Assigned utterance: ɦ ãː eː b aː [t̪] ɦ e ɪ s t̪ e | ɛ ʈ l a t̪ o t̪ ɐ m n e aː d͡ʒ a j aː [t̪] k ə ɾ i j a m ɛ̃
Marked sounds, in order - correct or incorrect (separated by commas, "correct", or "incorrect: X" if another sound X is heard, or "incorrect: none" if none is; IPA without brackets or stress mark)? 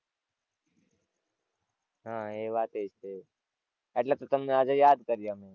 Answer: correct, incorrect: d̪